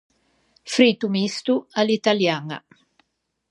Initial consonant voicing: voiceless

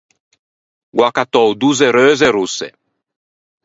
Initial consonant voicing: voiced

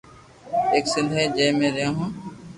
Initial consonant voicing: voiceless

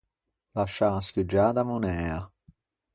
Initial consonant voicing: voiced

